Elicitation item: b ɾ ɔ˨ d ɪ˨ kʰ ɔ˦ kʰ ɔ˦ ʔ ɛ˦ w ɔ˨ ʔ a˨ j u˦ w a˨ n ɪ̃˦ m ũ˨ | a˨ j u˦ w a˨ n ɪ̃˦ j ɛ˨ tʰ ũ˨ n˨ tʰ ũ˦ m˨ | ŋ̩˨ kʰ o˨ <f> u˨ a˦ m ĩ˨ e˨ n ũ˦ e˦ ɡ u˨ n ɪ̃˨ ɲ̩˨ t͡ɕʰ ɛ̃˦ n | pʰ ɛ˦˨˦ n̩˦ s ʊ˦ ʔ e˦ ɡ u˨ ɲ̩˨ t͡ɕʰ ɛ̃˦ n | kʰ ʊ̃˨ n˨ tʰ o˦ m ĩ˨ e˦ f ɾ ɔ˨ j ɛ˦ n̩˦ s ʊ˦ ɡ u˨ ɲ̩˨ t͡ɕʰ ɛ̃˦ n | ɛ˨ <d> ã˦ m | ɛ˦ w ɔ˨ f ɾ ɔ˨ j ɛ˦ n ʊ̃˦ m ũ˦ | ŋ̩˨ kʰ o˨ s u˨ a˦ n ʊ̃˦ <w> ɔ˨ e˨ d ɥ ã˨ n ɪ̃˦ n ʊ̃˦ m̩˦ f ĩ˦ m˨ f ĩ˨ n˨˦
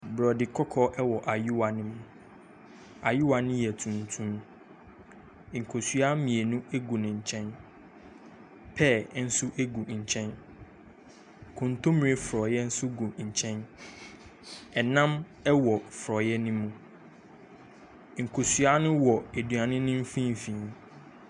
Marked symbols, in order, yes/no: no, no, yes

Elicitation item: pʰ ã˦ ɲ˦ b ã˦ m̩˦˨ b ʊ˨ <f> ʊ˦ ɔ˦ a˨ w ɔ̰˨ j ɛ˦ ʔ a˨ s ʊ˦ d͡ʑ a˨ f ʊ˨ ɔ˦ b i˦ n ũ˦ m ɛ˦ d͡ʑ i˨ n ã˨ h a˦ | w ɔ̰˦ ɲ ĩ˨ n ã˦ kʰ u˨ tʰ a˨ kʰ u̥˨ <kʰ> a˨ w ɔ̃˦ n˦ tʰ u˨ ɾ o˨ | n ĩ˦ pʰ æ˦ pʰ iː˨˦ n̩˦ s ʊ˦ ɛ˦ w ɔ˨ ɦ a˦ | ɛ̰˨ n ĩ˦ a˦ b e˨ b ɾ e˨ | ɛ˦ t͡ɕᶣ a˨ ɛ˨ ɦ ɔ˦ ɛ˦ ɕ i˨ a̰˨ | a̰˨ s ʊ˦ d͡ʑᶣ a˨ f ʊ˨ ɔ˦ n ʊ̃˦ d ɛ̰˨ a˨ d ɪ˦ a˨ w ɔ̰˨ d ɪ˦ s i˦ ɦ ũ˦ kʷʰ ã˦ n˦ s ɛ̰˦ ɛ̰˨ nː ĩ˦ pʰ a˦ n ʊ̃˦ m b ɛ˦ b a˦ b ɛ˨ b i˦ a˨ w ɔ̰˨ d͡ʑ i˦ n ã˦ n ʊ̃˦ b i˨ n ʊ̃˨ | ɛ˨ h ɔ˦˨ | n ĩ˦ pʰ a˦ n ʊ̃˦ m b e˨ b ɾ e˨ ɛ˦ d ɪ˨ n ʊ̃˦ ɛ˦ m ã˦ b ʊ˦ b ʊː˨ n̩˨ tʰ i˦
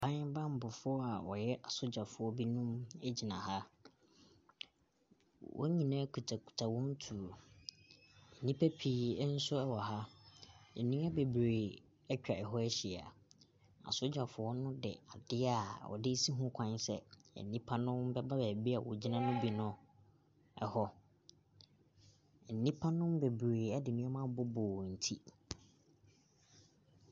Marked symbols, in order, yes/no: yes, no

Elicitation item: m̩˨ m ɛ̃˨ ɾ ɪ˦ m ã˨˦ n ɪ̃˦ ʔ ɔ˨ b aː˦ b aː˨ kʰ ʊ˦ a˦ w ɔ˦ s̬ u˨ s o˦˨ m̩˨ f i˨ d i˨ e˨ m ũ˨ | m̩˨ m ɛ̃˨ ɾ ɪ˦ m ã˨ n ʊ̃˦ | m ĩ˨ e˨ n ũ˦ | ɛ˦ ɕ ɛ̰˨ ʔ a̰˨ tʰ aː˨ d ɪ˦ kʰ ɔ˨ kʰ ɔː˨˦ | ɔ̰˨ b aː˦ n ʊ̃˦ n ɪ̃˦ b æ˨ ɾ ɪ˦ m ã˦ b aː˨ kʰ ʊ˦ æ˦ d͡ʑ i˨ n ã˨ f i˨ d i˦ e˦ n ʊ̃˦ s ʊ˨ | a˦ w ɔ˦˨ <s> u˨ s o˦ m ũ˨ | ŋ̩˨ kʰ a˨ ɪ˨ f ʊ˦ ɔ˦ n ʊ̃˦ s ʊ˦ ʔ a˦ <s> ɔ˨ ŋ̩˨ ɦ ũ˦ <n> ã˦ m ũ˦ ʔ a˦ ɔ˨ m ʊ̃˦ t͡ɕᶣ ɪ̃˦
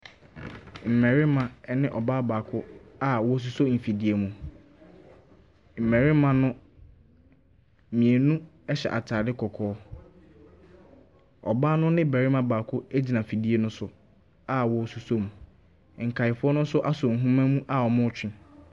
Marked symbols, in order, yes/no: yes, yes, no

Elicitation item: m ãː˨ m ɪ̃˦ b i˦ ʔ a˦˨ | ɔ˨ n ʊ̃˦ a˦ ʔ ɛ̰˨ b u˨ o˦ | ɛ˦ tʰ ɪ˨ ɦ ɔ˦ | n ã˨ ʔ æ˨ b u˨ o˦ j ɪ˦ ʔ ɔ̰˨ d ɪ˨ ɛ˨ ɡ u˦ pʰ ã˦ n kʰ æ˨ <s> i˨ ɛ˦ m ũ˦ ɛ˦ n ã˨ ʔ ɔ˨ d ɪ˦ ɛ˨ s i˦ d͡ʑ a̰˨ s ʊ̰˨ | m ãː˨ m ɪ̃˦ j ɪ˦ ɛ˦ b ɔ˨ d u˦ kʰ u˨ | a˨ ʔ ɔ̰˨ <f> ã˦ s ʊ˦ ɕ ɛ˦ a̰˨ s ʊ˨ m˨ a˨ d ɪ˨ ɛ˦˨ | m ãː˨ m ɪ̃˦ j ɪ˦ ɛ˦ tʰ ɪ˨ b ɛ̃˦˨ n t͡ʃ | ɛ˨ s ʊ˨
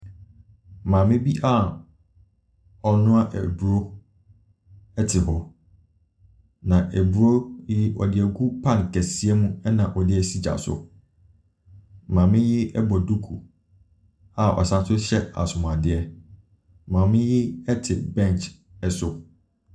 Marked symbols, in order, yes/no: yes, no

